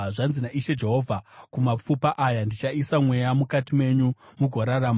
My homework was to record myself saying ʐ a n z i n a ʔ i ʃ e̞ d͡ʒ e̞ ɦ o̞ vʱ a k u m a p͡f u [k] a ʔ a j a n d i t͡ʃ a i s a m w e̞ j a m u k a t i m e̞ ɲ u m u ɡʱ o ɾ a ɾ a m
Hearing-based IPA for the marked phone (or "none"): p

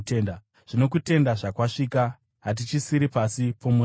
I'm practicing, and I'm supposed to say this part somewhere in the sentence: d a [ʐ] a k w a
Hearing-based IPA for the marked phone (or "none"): ʐ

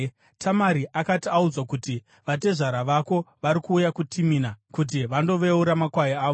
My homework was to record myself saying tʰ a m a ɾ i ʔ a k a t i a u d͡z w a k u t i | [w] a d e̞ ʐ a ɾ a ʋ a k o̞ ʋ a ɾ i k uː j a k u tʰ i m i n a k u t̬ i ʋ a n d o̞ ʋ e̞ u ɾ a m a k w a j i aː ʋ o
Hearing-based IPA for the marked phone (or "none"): ʋ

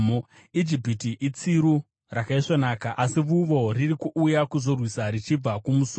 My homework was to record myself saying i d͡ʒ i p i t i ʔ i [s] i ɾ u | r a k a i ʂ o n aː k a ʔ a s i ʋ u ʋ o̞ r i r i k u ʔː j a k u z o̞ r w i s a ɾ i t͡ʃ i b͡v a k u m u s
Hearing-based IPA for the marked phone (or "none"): t͡s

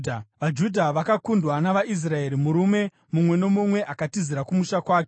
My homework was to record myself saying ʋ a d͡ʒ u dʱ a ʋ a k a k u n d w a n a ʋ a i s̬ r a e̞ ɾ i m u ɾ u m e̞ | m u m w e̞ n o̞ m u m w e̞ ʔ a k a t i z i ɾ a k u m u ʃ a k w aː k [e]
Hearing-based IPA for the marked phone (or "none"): e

